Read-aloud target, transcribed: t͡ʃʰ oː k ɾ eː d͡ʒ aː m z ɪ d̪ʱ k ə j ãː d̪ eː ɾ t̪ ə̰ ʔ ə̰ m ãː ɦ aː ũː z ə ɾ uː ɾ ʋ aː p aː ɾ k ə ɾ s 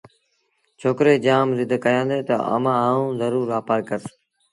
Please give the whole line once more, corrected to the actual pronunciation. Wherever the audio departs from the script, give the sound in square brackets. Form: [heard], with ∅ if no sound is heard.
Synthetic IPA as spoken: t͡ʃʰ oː k ɾ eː d͡ʒ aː m z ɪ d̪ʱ k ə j ãː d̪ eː [∅] t̪ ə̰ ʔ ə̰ m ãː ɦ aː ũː z ə ɾ uː ɾ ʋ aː p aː ɾ k ə ɾ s